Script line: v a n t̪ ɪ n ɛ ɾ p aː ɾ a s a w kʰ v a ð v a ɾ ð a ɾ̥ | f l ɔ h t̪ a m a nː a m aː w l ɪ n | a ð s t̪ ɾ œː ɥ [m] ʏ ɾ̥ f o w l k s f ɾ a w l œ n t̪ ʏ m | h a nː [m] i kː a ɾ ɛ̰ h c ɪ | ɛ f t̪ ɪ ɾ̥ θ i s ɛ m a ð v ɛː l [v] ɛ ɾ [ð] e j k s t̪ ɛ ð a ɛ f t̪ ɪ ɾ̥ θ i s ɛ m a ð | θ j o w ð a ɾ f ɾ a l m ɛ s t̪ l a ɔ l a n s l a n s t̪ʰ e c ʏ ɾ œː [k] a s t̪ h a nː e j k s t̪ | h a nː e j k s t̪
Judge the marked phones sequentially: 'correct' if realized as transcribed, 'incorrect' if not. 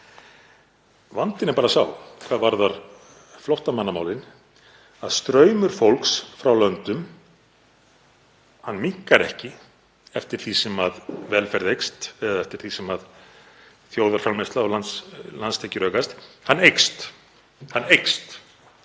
correct, correct, incorrect, correct, correct

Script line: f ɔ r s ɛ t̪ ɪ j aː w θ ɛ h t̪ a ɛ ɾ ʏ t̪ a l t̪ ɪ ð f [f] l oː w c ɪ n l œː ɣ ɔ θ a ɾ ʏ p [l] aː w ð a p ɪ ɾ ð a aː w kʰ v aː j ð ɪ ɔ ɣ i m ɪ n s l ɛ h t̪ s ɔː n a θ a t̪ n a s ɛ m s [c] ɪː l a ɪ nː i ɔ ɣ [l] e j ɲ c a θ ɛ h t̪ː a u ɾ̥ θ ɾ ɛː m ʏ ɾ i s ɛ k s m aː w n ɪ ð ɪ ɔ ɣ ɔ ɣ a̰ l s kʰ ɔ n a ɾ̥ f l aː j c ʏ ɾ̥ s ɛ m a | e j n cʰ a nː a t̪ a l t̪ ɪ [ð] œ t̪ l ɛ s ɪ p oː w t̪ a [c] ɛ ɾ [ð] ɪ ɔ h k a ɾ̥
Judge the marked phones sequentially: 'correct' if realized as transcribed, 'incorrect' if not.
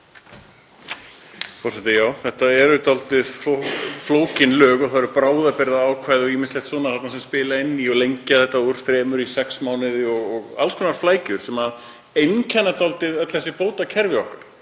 correct, incorrect, incorrect, correct, correct, incorrect, incorrect

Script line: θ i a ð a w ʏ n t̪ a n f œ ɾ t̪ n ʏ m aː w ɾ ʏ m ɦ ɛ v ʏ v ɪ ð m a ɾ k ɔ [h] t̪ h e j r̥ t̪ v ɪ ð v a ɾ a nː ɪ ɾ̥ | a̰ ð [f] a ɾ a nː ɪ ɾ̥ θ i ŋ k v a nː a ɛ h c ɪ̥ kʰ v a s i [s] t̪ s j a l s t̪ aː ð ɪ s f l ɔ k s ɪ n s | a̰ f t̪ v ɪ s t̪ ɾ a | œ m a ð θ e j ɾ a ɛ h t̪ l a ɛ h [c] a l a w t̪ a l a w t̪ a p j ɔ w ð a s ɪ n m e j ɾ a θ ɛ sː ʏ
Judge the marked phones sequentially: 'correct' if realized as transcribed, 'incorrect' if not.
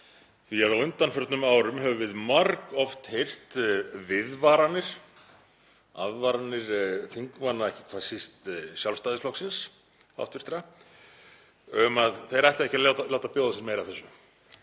incorrect, incorrect, correct, correct

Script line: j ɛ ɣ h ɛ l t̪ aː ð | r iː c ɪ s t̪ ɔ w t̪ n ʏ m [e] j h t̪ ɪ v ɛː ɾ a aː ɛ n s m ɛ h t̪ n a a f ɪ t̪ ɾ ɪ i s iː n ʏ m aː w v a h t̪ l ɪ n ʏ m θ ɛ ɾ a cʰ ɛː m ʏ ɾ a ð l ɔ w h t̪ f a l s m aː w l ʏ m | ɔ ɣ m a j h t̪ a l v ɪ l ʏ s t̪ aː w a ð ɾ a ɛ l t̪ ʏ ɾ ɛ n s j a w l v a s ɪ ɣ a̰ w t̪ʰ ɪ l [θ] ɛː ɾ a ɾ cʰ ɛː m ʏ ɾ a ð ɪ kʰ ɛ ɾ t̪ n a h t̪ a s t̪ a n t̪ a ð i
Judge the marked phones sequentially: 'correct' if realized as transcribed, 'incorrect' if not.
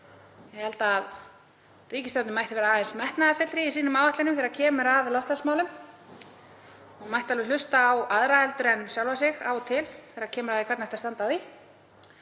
incorrect, correct

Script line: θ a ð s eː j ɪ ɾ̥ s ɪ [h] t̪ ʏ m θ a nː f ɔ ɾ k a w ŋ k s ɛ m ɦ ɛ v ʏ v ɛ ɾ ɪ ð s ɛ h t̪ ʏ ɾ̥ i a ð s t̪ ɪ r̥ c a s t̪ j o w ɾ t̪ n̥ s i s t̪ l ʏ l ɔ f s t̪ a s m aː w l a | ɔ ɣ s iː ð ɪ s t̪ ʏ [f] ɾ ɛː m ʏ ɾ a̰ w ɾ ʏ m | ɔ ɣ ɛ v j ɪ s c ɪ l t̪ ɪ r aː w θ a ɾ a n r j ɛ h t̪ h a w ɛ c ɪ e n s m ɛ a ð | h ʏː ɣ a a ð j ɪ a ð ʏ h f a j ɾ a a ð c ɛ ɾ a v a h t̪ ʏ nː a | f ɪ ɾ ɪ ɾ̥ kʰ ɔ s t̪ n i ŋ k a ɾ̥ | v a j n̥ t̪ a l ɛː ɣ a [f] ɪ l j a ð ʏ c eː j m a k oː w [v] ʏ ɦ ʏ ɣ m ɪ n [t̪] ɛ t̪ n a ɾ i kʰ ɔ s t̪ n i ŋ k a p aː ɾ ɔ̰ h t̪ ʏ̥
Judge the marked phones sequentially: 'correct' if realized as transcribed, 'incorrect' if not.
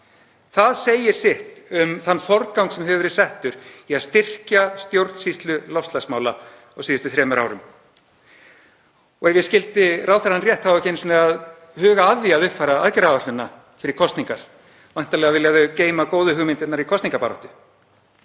correct, incorrect, incorrect, incorrect, correct

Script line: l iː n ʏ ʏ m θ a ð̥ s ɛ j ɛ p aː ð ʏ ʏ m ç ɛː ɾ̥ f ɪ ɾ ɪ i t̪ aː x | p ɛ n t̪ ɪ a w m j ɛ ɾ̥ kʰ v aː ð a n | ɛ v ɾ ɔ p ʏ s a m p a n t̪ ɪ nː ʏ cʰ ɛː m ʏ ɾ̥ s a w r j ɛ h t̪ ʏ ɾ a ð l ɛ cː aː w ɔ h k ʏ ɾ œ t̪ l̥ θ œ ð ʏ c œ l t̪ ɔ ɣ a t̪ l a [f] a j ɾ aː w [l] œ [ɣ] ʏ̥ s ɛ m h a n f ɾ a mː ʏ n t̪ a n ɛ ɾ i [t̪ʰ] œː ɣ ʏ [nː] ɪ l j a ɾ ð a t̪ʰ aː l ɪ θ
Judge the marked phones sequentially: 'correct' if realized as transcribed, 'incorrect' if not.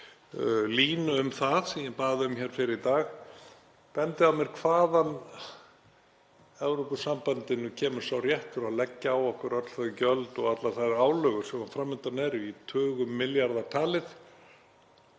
incorrect, correct, correct, correct, incorrect

